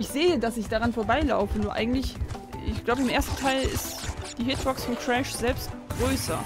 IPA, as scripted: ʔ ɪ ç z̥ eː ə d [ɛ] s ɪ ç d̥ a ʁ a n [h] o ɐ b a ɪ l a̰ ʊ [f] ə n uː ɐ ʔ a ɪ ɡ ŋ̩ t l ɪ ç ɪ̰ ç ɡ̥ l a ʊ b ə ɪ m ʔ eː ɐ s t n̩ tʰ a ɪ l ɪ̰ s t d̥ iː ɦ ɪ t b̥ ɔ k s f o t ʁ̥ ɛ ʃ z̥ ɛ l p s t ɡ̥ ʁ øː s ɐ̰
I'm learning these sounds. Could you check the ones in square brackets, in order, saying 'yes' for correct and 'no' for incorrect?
no, no, yes

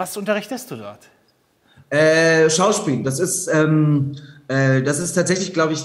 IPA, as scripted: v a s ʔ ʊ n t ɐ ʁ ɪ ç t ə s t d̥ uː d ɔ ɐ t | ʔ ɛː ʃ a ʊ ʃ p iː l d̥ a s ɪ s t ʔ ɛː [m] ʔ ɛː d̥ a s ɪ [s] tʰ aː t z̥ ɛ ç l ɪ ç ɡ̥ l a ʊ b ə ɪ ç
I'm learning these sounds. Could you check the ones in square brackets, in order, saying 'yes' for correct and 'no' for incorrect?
yes, yes

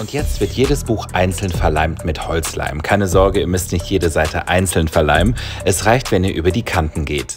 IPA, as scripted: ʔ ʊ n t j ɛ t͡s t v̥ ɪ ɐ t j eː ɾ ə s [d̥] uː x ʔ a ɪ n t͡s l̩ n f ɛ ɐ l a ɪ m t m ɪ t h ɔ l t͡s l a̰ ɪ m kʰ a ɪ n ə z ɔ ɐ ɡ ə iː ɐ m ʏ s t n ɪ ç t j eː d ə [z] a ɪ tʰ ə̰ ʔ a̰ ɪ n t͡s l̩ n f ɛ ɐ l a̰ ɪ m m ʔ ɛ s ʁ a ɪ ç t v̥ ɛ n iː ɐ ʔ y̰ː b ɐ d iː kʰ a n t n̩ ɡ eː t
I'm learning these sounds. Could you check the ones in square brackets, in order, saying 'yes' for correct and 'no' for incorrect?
no, yes

